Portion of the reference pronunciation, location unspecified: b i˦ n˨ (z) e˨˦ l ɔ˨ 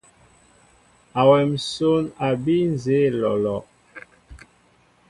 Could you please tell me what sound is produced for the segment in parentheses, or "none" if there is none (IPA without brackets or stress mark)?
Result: z